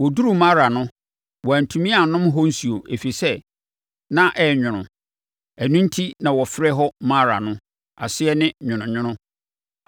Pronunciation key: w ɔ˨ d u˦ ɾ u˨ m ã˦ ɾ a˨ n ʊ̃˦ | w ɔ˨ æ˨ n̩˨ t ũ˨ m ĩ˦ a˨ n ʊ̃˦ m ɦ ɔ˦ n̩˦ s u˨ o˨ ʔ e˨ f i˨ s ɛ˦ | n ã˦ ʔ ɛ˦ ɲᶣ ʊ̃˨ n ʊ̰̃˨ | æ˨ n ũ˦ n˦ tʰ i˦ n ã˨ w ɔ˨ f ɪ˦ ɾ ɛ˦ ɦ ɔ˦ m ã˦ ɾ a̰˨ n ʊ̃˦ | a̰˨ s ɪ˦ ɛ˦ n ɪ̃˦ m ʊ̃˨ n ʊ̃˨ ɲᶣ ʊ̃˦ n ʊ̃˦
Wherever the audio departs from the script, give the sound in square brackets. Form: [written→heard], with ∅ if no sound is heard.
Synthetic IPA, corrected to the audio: w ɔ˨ d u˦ ɾ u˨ m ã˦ ɾ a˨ n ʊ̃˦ | w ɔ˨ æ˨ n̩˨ [t→tʰ] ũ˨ m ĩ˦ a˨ n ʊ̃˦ m ɦ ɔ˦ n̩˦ s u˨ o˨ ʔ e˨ f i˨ s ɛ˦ | n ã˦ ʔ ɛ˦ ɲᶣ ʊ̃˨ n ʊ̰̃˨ | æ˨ n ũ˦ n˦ tʰ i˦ n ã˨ w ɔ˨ f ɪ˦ ɾ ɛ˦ ɦ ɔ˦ m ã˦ ɾ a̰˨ n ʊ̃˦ | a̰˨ s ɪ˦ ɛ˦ n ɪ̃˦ [m→ɲ] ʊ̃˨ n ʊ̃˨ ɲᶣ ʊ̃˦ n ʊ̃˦